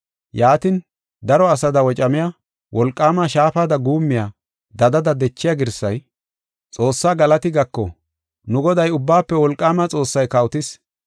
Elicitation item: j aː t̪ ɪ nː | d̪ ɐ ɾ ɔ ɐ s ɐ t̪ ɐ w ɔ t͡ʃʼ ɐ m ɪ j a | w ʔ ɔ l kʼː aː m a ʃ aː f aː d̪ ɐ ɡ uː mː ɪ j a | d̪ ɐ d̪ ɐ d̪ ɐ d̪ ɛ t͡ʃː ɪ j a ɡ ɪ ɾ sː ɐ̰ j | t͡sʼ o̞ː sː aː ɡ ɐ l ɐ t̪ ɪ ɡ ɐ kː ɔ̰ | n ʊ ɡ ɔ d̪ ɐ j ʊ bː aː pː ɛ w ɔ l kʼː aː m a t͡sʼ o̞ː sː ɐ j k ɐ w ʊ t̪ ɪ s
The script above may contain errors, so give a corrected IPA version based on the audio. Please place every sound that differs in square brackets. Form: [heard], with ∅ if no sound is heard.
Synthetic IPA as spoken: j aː t̪ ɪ [n] | d̪ ɐ ɾ ɔ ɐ s ɐ [d̪] ɐ w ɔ t͡ʃʼ ɐ m ɪ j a | w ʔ ɔ l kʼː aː m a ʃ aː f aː d̪ ɐ ɡ uː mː ɪ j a | d̪ ɐ d̪ ɐ d̪ ɐ d̪ ɛ t͡ʃː ɪ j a ɡ ɪ ɾ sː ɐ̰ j | t͡sʼ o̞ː sː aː ɡ ɐ l ɐ t̪ ɪ ɡ ɐ kː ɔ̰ | n ʊ ɡ ɔ d̪ ɐ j ʊ bː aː pː ɛ w ɔ l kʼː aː m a t͡sʼ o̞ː sː ɐ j k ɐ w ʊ t̪ ɪ s

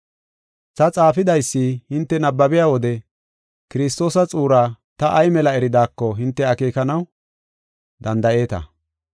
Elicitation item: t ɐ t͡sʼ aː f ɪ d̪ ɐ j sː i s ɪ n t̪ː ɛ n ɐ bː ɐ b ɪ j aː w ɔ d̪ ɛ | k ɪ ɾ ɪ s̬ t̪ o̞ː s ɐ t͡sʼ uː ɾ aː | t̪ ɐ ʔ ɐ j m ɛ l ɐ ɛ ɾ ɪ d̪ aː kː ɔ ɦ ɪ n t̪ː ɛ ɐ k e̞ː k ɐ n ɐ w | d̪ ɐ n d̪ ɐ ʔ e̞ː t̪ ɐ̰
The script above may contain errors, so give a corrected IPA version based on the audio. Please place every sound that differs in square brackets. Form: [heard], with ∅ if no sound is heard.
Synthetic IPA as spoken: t ɐ t͡sʼ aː f ɪ d̪ ɐ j sː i [h] ɪ n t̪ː ɛ n ɐ bː ɐ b ɪ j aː w ɔ d̪ ɛ | k ɪ ɾ ɪ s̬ t̪ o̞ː s ɐ t͡sʼ uː ɾ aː | t̪ ɐ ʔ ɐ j m ɛ l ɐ ɛ ɾ ɪ d̪ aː kː ɔ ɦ ɪ n t̪ː ɛ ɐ k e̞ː k ɐ n ɐ w | d̪ ɐ n d̪ ɐ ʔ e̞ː t̪ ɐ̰

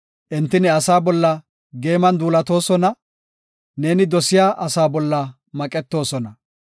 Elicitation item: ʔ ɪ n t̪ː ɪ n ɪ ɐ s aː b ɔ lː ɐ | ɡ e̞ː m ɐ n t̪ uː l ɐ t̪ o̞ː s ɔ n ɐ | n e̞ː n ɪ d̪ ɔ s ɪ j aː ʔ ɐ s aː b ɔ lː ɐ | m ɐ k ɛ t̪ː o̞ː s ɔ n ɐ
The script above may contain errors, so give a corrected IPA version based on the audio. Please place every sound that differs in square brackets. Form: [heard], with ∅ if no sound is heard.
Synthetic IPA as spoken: ʔ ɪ n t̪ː ɪ n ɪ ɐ s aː b ɔ lː ɐ | ɡ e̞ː m ɐ n [d̪] uː l ɐ t̪ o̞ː s ɔ n ɐ | n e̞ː n ɪ d̪ ɔ s ɪ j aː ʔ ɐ s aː b ɔ lː ɐ | m ɐ [kʼ] ɛ t̪ː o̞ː s ɔ n ɐ

